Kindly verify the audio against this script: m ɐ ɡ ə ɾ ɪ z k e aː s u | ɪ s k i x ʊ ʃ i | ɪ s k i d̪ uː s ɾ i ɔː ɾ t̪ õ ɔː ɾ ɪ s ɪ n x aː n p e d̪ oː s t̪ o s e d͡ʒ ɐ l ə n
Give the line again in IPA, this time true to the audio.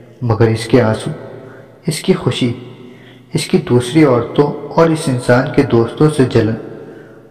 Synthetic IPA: m ɐ ɡ ə ɾ ɪ s k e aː s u | ɪ s k i x ʊ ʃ i | ɪ s k i d̪ uː s ɾ i ɔː ɾ t̪ õ ɔː ɾ ɪ s ɪ n s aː n k e d̪ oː s t̪ õ s e d͡ʒ ɐ l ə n